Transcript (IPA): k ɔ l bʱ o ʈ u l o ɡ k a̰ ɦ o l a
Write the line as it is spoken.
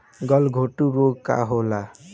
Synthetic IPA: ɡ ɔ l ɡʱ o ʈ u ɾ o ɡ k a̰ ɦ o l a

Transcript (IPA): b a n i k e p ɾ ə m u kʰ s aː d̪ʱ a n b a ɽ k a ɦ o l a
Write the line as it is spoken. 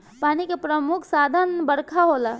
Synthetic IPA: p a n i k e p ɾ ə m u kʰ s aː d̪ʱ ə n b ə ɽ kʰ a ɦ o l a

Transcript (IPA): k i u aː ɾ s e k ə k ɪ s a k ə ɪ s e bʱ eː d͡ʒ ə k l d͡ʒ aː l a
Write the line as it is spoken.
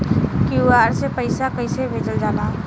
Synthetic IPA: k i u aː ɾ s e p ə ɪ s a k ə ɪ s e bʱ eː d͡ʒ ə l d͡ʒ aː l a

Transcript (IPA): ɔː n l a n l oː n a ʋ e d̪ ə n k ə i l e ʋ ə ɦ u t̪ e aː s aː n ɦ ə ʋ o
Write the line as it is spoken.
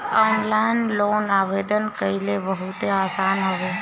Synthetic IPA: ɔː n l a n l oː n a ʋ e d̪ ə n k ə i l e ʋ ə ɦ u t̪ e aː s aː n ɦ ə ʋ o

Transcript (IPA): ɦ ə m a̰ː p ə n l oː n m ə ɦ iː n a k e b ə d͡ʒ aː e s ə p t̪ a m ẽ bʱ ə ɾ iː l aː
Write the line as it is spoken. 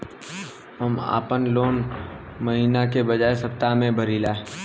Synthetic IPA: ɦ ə m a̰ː p ə n l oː n m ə ɦ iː n a k e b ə d͡ʒ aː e s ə p t̪ a m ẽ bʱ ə ɾ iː l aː

